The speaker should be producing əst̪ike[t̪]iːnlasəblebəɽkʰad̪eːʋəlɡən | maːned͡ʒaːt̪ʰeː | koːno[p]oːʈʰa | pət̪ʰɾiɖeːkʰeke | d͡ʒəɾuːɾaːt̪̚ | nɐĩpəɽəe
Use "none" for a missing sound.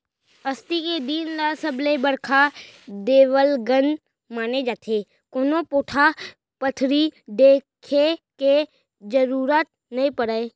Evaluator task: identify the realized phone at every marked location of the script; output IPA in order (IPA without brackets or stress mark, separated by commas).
d̪, p